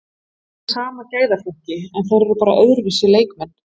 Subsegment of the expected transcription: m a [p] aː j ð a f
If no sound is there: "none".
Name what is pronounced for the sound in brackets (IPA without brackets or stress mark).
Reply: c